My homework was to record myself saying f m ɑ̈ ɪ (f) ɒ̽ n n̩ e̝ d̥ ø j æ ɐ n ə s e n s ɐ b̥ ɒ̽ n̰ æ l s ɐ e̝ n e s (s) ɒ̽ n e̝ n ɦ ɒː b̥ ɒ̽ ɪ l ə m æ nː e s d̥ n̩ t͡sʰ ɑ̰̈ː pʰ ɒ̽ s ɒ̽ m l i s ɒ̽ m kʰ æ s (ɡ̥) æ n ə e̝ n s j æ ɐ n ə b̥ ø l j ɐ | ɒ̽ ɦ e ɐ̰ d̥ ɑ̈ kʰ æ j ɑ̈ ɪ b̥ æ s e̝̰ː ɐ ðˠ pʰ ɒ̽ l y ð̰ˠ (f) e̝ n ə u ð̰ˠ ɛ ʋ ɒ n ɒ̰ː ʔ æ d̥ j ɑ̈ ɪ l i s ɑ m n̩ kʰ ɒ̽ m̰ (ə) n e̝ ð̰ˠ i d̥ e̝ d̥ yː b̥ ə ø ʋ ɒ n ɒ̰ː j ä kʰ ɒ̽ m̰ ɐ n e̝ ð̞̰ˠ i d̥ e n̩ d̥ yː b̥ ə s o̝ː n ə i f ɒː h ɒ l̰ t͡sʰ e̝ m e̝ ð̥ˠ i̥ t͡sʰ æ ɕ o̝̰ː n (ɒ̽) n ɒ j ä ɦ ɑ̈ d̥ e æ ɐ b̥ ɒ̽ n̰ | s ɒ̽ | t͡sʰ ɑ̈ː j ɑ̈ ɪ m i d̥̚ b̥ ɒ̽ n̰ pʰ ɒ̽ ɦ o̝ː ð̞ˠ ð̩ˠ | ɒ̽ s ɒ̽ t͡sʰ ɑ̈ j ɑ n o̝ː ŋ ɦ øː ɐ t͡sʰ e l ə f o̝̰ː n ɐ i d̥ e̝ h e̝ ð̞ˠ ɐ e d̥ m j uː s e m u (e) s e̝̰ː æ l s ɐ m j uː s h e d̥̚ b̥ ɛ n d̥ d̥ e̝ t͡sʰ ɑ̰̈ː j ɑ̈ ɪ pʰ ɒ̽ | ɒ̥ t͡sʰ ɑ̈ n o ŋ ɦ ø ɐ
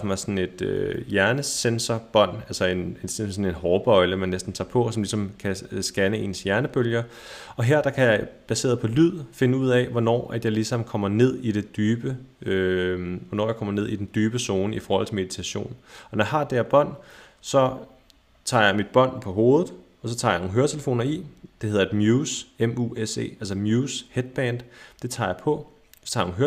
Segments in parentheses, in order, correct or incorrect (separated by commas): incorrect, correct, correct, correct, incorrect, correct, correct